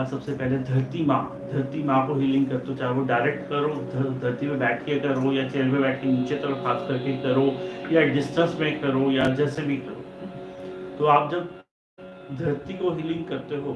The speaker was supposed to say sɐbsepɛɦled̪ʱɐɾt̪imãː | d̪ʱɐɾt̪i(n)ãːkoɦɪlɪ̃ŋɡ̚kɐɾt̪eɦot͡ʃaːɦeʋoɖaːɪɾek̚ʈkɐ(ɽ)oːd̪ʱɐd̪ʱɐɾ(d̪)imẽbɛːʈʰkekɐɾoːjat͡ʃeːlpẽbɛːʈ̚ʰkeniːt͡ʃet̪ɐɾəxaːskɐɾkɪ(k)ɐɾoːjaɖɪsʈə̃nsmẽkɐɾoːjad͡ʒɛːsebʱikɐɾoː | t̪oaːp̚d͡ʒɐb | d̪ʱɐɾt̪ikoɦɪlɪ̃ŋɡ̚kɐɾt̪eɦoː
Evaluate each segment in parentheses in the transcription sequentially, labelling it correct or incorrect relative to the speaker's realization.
incorrect: m, incorrect: ɾ, incorrect: t̪, correct

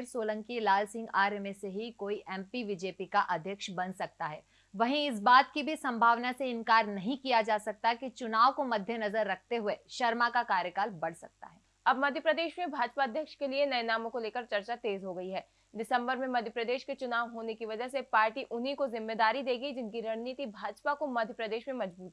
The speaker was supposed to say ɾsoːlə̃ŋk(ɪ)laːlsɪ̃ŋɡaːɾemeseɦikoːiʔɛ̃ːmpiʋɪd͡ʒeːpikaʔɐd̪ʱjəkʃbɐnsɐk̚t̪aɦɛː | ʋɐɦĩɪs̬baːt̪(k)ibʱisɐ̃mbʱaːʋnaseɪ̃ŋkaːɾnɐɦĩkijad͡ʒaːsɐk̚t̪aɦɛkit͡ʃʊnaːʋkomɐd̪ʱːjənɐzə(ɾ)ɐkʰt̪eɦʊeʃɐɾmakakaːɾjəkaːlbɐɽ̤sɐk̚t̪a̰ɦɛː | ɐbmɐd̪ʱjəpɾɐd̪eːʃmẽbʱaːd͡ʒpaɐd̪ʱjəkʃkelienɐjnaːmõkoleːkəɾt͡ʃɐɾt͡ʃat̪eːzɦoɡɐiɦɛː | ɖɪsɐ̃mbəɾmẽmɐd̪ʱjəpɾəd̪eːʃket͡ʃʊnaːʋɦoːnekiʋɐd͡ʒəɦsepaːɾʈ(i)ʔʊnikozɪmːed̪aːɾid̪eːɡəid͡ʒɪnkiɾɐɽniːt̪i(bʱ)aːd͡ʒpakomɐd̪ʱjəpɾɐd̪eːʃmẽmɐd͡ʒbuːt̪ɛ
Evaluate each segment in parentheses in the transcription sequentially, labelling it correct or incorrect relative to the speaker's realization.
incorrect: i, correct, incorrect: ɾː, correct, correct

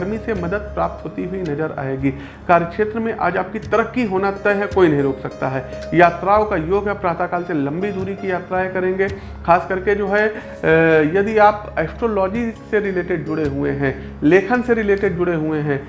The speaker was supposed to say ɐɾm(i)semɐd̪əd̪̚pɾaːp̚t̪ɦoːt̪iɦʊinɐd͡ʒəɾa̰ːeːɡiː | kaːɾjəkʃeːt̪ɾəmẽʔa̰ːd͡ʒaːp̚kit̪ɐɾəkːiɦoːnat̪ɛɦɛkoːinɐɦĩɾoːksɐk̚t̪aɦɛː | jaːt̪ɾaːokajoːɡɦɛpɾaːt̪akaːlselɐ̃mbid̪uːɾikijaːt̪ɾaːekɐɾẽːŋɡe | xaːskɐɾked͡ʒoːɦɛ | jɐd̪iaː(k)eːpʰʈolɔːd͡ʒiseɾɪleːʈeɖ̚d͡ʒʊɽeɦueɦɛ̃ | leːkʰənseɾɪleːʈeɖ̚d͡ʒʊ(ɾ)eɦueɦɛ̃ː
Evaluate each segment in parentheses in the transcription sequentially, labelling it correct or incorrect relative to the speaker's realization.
correct, incorrect: p, incorrect: ɽ

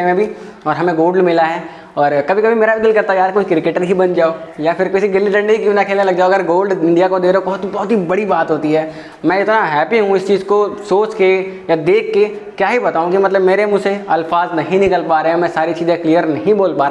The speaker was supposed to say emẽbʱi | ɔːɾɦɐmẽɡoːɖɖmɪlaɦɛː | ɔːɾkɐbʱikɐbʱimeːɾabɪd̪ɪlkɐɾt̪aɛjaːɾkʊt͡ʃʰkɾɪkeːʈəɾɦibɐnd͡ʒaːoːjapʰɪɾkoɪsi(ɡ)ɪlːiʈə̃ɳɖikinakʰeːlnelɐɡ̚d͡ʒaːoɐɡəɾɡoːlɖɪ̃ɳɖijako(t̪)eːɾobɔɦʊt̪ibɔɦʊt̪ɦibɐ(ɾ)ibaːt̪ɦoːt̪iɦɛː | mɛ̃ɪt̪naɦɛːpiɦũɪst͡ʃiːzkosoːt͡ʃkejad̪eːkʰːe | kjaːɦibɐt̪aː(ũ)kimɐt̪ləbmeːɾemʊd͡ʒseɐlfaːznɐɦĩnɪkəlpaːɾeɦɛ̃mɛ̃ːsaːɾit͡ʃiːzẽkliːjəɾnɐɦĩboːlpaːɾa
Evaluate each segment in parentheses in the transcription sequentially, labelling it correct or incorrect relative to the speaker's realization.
correct, incorrect: d̪, incorrect: ɽ, correct

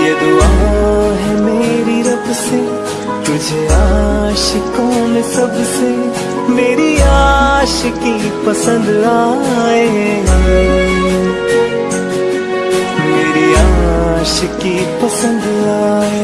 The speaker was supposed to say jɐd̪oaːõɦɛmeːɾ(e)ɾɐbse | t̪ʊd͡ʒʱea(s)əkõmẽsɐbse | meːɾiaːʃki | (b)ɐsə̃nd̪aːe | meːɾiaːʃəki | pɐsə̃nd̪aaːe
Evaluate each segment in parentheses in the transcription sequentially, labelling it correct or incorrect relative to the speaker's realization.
incorrect: i, incorrect: ʃ, incorrect: p

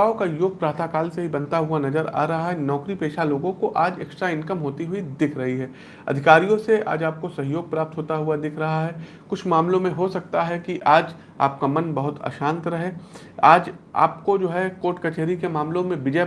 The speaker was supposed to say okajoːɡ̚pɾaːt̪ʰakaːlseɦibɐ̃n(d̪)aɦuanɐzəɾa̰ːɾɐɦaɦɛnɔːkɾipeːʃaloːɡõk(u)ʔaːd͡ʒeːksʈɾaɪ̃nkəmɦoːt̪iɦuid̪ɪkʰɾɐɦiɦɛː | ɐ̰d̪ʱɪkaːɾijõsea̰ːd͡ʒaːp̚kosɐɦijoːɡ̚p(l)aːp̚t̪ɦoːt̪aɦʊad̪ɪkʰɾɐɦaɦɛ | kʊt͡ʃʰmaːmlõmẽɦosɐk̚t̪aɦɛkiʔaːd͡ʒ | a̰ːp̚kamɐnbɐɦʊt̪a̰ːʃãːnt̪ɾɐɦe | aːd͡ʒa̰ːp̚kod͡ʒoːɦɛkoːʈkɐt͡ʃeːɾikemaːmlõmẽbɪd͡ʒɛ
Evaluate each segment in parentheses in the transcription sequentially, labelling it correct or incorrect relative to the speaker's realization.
incorrect: t̪, incorrect: o, incorrect: ɾ

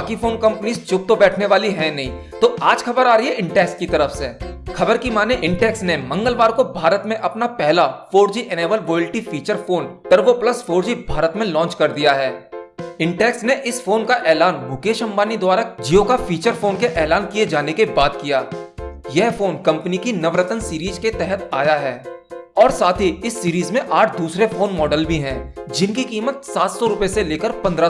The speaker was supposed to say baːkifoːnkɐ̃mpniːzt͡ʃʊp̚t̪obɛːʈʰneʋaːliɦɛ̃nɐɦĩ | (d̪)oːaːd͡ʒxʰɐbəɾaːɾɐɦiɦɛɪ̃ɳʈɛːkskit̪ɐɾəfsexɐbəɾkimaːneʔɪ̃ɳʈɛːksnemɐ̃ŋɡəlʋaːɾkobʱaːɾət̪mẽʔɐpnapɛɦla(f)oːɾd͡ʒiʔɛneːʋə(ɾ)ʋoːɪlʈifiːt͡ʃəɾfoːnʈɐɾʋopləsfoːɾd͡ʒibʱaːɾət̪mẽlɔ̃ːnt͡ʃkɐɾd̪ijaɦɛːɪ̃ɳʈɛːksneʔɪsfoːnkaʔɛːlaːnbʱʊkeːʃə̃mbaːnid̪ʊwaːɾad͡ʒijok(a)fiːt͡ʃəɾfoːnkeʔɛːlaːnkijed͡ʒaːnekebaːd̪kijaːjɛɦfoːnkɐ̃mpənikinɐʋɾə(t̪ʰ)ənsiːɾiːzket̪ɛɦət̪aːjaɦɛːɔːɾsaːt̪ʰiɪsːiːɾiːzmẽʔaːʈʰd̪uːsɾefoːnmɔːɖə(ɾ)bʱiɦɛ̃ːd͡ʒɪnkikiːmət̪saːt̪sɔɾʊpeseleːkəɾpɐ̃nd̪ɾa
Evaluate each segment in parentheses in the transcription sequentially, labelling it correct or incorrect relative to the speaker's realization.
incorrect: t̪, correct, incorrect: l, correct, incorrect: t̪, incorrect: l

